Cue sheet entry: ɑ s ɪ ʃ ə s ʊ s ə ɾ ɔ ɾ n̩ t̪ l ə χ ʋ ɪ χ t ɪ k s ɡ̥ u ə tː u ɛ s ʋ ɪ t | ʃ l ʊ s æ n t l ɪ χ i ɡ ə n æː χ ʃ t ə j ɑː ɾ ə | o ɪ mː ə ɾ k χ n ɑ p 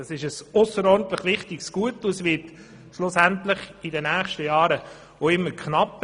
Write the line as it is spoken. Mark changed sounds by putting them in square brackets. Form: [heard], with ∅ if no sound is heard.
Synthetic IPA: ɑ s ɪ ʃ ə s ʊ s ə ɾ ɔ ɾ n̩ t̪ l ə χ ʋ ɪ χ t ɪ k s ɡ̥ u ə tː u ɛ s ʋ ɪ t | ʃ l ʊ s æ n t l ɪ χ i [d] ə n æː χ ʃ t ə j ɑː ɾ ə | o ɪ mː ə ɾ k χ n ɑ p